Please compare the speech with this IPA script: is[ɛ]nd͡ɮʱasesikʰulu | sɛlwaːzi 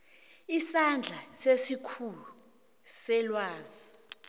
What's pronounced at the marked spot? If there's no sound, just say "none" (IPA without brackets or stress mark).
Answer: a